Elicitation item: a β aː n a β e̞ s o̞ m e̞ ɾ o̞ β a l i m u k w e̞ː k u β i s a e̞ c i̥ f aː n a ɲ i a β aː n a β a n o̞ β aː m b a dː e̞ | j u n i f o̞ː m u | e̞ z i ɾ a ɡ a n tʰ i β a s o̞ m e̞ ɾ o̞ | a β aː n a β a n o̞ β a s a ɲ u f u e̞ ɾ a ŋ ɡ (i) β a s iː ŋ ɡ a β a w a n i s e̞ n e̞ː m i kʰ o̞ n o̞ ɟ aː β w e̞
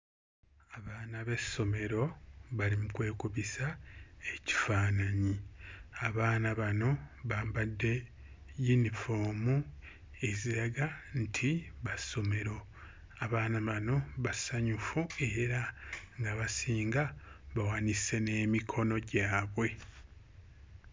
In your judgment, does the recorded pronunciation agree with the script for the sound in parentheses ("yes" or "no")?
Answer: no